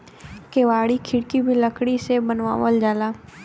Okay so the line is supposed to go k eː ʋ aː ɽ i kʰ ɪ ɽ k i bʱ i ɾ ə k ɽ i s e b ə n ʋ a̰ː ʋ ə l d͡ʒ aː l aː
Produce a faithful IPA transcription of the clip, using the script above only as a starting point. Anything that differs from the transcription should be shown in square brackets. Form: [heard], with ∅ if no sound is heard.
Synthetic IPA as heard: k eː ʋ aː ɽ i kʰ ɪ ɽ k i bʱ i [l] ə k ɽ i s e b ə n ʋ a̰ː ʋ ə l d͡ʒ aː l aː